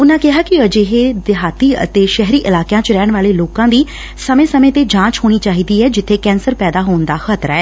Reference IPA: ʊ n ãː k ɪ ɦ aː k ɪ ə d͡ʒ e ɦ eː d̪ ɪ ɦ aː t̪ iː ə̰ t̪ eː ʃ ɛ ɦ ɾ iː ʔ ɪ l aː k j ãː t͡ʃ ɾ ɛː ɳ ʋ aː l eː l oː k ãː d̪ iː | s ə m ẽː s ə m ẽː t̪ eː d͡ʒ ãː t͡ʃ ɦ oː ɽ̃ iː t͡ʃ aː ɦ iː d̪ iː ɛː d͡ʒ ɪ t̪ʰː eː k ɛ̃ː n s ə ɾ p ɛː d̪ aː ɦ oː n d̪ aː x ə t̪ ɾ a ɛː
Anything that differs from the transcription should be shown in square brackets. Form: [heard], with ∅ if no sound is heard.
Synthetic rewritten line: ʊ n ãː k ɪ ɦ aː k ɪ ə d͡ʒ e ɦ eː d̪ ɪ ɦ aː t̪ iː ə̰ t̪ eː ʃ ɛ ɦ ɾ iː ʔ ɪ l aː k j ãː t͡ʃ ɾ ɛː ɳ ʋ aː l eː l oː k ãː d̪ iː | s ə m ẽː s ə m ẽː t̪ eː d͡ʒ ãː t͡ʃ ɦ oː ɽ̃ iː t͡ʃ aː ɦ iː d̪ iː ɛː d͡ʒ ɪ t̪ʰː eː k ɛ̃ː n s ə ɾ p ɛː d̪ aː ɦ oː n d̪ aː x ə t̪ ɾ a ɛː